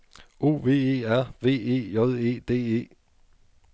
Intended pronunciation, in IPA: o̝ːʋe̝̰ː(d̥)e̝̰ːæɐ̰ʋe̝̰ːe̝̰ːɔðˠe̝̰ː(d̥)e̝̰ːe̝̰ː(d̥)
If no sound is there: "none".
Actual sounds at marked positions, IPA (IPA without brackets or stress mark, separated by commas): none, d̥, none